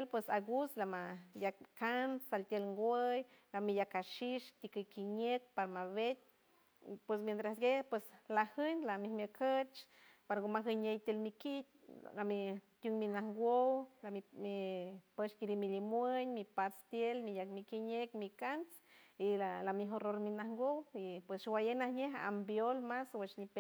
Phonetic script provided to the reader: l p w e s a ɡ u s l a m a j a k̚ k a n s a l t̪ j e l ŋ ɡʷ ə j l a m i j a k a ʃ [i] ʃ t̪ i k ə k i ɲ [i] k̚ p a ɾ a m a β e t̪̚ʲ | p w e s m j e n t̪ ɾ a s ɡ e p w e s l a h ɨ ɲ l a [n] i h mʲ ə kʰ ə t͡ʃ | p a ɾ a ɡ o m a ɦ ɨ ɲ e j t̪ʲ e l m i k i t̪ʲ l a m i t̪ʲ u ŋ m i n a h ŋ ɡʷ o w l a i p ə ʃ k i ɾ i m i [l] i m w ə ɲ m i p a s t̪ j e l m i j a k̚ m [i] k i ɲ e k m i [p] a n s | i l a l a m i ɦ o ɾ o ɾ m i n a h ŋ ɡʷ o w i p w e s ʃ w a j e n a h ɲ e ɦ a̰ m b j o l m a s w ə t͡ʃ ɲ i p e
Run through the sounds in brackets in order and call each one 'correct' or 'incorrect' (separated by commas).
correct, incorrect, incorrect, correct, correct, incorrect